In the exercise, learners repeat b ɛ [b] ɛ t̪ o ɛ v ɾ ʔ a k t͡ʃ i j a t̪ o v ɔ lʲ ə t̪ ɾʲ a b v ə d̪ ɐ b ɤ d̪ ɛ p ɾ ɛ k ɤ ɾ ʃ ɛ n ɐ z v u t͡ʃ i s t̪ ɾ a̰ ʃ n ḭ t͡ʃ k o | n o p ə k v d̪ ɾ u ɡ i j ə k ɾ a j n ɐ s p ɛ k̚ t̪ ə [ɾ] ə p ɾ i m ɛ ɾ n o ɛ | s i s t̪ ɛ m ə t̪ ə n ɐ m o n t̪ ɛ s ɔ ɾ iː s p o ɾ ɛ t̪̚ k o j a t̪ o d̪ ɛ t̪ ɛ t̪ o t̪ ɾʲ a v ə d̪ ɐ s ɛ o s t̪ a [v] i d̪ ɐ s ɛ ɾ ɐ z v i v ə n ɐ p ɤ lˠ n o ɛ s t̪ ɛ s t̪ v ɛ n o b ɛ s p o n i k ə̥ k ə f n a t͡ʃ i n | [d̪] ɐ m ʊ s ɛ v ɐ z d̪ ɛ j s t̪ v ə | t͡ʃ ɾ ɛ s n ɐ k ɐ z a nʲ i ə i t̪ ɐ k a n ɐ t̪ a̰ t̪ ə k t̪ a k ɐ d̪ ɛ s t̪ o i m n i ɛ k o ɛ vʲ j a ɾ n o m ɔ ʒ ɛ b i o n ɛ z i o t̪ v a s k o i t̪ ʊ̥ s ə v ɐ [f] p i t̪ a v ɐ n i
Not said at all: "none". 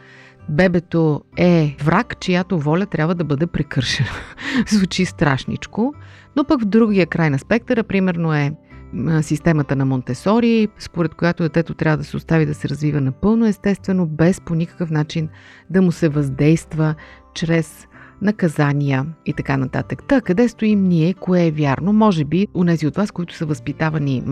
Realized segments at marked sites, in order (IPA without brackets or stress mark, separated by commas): b, ɾ, v, d̪, s